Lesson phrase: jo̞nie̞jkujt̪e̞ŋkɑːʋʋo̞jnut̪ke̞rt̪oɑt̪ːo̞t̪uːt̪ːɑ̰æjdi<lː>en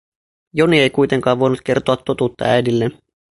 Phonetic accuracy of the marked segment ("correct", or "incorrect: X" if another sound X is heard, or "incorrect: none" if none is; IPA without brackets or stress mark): correct